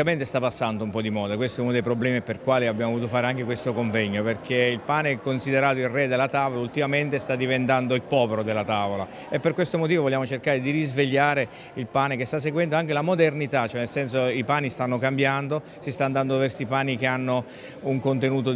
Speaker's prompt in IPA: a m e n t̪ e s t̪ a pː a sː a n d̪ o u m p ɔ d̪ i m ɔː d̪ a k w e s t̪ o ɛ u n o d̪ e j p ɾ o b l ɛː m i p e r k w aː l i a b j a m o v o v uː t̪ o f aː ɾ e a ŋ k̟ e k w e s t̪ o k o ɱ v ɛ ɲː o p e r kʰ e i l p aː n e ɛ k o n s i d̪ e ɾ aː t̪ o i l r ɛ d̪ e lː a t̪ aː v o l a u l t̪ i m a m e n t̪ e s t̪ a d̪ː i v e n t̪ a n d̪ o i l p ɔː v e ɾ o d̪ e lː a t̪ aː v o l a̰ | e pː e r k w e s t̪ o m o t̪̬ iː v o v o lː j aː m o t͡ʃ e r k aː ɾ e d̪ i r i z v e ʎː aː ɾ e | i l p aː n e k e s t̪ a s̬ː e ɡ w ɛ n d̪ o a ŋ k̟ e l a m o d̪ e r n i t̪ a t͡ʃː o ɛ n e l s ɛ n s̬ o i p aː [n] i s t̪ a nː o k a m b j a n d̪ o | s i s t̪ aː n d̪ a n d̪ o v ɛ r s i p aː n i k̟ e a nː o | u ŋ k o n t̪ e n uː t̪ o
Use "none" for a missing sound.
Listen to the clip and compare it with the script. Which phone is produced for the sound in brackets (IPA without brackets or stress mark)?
n